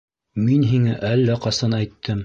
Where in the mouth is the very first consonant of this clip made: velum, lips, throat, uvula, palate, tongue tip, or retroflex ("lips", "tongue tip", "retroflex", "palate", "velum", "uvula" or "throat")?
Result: lips